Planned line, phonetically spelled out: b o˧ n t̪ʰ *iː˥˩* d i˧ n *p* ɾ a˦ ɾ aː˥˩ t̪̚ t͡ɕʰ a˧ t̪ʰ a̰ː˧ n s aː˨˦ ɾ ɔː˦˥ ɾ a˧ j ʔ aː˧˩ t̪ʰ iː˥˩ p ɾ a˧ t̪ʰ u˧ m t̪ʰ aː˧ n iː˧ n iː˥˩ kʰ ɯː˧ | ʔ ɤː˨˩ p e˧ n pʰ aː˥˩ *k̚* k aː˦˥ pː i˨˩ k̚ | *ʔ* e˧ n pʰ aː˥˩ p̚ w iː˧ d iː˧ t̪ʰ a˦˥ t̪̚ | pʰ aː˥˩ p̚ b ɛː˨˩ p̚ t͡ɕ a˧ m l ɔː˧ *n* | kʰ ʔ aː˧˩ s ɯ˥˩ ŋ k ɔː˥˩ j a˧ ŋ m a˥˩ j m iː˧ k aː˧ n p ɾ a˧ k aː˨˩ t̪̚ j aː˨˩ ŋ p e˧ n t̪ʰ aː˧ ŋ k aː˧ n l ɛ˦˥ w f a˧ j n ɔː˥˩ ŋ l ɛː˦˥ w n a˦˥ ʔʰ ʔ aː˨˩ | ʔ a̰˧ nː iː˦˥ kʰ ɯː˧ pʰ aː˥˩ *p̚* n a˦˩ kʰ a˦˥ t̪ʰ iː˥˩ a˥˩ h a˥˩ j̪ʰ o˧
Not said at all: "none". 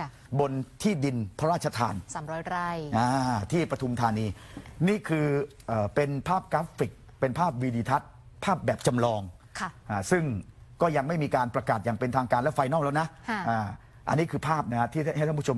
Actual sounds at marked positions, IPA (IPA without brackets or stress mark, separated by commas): iː˥˩, pʰ, p̚, p, ŋ, p̚